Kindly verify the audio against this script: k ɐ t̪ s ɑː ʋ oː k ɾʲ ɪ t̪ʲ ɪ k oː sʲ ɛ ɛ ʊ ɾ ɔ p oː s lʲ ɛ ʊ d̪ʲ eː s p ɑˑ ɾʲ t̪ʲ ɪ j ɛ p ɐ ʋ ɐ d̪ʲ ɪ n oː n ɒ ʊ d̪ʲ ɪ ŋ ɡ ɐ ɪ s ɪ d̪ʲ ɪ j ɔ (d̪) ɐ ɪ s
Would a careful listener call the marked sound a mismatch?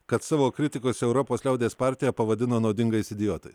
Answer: yes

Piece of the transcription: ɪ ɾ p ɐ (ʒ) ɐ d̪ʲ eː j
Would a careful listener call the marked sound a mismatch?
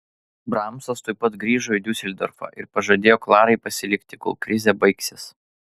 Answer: no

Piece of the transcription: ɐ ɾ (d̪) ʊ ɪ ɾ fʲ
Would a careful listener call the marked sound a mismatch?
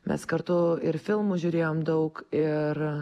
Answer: yes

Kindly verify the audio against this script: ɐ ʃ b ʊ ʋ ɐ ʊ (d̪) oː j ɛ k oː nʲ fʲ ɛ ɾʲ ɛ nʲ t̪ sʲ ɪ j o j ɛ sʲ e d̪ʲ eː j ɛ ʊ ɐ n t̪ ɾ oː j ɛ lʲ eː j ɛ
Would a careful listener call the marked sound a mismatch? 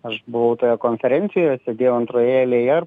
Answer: yes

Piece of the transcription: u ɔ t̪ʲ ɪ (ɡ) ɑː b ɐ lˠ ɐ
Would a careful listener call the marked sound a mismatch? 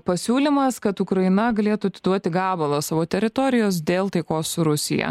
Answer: no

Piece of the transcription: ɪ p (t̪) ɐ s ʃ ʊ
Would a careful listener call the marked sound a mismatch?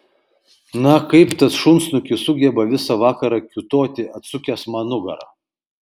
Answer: no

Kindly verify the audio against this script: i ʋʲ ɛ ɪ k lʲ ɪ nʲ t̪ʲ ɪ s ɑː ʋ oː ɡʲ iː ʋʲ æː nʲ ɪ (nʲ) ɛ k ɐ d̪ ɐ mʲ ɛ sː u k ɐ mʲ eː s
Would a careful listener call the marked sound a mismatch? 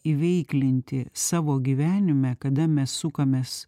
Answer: yes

